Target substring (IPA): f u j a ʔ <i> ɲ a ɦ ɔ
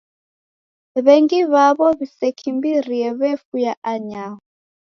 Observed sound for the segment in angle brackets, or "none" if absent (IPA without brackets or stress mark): a